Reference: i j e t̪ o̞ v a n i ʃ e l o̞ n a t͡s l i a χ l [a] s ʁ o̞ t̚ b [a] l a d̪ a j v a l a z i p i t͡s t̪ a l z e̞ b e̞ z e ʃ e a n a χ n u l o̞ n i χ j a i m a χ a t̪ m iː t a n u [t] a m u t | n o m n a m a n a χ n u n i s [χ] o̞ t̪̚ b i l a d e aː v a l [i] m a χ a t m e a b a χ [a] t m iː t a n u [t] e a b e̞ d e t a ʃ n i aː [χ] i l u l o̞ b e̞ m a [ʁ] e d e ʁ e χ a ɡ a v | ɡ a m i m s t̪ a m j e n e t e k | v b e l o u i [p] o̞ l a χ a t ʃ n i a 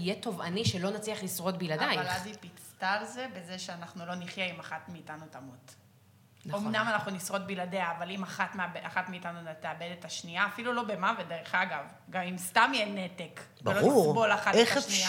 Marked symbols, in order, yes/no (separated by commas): no, no, yes, no, yes, yes, yes, no, no, no